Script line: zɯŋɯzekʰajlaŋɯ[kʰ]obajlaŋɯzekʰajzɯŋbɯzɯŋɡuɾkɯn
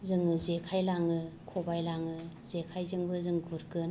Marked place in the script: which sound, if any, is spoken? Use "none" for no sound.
kʰ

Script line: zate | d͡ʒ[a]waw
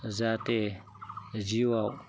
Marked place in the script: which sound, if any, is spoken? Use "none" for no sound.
i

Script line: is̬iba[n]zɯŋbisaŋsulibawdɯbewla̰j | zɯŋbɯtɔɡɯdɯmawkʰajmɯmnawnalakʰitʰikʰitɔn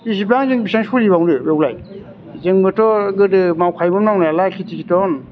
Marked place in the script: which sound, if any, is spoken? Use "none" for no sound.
ŋ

